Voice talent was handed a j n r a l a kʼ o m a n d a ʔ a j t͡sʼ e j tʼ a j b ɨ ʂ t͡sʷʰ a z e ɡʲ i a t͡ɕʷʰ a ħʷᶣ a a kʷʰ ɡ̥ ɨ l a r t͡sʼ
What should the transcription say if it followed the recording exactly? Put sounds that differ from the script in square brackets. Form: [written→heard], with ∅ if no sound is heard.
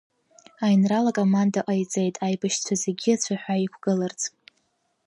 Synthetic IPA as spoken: a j n r a l a kʼ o m a n d a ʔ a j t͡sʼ e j tʼ a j b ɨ [ʂ→ʃ] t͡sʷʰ a z e ɡʲ i a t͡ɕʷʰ a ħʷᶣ a [a→i] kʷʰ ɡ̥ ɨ l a r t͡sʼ